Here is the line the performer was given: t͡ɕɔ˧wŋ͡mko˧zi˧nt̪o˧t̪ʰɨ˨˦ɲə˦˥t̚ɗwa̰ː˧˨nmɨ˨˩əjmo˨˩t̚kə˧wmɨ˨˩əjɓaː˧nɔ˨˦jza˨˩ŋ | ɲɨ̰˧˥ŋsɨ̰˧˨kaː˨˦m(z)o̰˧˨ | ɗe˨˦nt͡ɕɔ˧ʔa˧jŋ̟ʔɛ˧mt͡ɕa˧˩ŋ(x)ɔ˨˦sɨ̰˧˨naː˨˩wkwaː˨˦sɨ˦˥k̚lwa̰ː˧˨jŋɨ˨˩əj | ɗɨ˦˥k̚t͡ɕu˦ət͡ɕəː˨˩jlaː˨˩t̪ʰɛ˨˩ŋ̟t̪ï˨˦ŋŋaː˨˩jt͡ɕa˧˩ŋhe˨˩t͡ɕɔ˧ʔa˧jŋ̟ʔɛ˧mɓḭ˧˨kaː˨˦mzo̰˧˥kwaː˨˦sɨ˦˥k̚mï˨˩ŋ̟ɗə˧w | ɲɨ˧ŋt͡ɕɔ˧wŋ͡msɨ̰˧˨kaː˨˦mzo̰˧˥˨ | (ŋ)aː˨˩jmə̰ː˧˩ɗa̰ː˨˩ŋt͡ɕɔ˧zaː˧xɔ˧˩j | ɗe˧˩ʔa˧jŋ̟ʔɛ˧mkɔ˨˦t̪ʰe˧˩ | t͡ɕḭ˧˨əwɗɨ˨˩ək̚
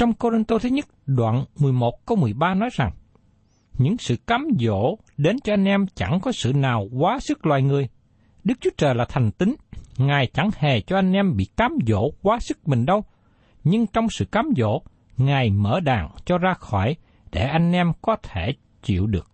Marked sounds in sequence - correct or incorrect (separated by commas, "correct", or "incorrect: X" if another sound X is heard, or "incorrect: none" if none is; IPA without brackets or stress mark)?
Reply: correct, incorrect: k, correct